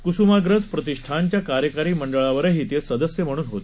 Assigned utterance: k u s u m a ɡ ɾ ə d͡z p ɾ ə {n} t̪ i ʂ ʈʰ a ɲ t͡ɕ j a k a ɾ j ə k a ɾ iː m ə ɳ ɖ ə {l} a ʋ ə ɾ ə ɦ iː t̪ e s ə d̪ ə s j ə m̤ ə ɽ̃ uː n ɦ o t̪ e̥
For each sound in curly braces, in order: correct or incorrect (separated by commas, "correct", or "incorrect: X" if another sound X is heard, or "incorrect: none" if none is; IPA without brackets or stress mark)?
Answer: incorrect: none, incorrect: ɭ